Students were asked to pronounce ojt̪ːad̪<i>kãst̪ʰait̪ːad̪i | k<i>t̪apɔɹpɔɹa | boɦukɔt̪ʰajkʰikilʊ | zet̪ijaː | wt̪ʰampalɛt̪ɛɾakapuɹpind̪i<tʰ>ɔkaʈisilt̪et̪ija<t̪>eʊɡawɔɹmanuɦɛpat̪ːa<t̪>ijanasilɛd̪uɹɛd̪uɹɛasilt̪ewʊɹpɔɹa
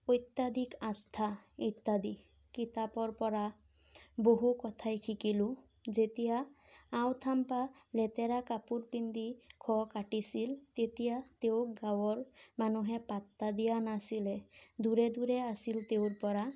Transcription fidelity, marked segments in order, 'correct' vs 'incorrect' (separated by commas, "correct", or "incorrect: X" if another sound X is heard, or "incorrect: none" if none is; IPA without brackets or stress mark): correct, correct, incorrect: kʰ, correct, incorrect: d̪